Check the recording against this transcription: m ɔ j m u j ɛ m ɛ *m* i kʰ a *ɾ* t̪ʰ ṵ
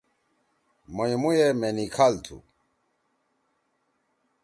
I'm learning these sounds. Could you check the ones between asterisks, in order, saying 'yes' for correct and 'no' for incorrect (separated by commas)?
no, no